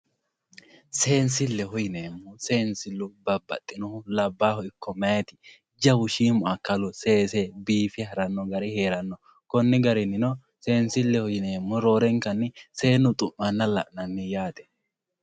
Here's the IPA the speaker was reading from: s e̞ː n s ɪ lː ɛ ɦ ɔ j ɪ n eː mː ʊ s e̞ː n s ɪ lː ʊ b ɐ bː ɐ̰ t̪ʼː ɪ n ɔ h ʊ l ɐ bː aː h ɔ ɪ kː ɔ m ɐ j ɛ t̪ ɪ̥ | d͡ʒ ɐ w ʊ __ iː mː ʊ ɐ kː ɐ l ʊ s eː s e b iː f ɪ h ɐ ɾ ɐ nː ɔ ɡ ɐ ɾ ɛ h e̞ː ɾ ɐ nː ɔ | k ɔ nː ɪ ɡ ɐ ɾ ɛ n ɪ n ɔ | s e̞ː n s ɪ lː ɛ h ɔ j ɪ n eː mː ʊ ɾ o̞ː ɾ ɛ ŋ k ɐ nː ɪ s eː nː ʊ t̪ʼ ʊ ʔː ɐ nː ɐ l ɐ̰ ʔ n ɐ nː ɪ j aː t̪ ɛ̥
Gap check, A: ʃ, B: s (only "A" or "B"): A